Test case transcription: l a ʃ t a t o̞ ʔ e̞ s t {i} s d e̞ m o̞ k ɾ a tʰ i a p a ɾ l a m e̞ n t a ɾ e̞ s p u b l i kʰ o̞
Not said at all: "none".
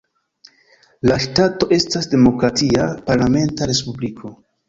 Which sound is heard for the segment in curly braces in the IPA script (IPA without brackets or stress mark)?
a